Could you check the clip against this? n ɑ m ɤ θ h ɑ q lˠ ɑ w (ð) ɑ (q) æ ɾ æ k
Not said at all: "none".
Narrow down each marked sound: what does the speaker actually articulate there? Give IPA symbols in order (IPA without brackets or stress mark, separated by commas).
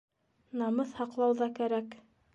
ð, k